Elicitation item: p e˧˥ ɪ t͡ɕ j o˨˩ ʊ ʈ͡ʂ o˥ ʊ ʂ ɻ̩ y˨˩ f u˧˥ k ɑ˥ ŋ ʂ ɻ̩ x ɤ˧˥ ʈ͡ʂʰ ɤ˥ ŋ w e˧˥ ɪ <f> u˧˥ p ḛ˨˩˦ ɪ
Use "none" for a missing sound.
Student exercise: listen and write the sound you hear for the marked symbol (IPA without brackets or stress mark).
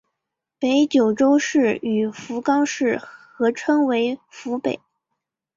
f